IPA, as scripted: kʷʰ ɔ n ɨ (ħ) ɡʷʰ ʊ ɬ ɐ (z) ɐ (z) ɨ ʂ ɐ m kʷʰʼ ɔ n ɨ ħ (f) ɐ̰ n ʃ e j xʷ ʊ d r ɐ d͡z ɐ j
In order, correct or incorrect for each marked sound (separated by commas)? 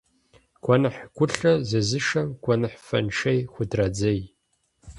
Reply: correct, correct, correct, correct